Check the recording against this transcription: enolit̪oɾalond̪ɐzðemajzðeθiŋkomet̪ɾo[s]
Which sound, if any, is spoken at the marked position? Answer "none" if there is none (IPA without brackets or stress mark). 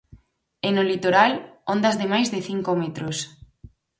s